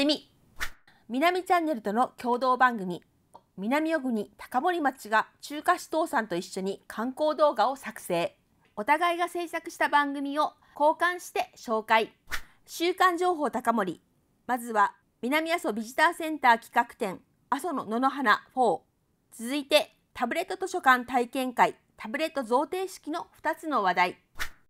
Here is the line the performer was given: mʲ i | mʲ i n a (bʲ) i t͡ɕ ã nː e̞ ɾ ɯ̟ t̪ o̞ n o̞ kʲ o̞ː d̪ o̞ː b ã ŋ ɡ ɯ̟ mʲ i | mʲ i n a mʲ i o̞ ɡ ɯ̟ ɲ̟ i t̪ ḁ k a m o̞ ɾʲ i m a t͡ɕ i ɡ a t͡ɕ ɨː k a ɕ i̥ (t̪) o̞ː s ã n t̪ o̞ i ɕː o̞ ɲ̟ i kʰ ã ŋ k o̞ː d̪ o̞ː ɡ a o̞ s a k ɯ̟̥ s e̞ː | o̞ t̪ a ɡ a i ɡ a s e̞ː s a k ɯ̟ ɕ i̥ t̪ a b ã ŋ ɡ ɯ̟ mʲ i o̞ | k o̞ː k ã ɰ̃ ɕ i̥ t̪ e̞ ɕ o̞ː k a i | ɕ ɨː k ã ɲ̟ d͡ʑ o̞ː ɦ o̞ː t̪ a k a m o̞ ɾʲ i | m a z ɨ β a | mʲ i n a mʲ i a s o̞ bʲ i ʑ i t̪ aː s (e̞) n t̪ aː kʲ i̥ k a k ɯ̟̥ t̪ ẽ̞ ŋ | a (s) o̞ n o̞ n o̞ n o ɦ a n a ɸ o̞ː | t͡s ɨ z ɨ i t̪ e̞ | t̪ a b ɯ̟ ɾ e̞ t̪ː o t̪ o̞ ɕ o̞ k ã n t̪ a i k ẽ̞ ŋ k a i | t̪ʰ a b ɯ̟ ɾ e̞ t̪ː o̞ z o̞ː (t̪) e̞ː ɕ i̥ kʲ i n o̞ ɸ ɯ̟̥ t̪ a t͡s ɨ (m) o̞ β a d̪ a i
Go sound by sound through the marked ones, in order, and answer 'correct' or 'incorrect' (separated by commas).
incorrect, correct, incorrect, correct, correct, incorrect